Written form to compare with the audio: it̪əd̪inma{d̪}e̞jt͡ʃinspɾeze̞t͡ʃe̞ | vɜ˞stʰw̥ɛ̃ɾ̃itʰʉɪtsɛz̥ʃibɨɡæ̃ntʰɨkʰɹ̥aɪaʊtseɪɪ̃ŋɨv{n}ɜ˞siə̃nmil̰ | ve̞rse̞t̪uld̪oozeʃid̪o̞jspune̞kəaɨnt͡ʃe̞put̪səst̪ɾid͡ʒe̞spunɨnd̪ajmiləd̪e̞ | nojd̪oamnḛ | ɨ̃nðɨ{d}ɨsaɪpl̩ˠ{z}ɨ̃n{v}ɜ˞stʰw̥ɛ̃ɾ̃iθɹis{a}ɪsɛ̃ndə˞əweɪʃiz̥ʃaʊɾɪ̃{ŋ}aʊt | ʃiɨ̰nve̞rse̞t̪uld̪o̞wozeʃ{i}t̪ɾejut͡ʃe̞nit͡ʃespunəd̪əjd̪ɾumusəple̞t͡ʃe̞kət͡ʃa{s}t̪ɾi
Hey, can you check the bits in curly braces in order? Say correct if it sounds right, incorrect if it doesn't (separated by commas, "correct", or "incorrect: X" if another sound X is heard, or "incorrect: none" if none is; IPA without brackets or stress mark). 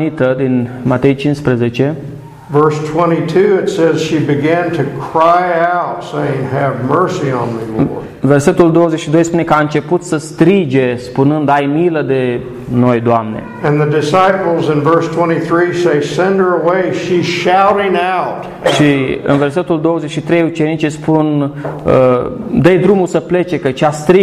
incorrect: t̪, incorrect: m, correct, correct, correct, incorrect: e, correct, correct, correct